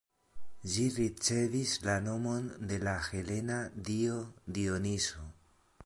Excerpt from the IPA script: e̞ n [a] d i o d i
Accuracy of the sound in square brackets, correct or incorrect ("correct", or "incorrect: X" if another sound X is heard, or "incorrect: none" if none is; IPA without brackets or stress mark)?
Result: correct